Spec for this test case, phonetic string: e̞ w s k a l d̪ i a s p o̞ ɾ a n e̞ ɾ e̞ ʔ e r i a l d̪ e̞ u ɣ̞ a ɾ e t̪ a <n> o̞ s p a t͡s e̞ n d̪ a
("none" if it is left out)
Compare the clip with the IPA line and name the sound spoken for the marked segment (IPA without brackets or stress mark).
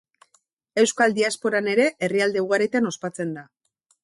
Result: n